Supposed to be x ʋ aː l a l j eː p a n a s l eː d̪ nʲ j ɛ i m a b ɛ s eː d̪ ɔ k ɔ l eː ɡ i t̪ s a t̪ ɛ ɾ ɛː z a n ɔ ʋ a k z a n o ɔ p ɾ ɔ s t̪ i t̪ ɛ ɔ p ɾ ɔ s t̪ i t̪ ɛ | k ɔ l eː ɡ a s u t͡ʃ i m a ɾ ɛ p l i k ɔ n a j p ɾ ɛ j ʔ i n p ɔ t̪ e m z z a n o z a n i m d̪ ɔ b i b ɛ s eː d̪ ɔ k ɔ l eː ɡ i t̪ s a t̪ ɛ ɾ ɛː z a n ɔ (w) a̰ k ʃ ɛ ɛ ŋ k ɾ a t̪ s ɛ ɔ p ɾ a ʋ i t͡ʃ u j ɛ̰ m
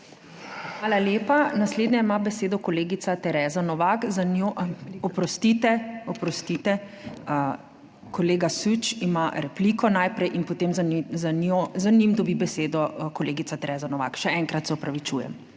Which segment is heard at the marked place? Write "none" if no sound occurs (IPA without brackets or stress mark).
ʋ